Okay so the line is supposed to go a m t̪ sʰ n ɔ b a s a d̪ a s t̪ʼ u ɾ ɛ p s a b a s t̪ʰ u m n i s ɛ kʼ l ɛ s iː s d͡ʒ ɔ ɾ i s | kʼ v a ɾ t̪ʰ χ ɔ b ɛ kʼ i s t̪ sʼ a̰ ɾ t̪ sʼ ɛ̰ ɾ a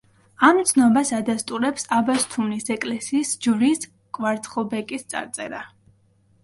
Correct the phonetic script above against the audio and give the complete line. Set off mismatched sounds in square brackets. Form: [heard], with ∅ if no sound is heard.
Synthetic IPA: a m t̪ sʰ n ɔ b a s a d̪ a s t̪ʼ u ɾ ɛ p s a b a s t̪ʰ u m n i s ɛ kʼ l ɛ s iː s d͡ʒ [u] ɾ i s | kʼ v a ɾ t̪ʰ χ ɔ b ɛ kʼ i s t̪ sʼ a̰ ɾ t̪ sʼ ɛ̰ ɾ a